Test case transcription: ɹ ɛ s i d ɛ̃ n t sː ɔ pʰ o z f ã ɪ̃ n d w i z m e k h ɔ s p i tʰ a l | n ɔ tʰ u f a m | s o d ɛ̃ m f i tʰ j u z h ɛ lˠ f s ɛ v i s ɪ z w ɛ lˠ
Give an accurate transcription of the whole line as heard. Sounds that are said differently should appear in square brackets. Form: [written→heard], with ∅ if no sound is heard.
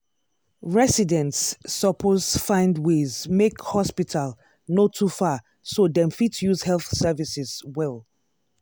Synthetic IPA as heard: ɹ ɛ s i d ɛ̃ n t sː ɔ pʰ o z f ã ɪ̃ n d w [i→e] z m e k h ɔ s p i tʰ a l | n [ɔ→o] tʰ u f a [m→∅] | s o d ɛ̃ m f i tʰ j u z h ɛ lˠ [f→θ] s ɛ v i s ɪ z w ɛ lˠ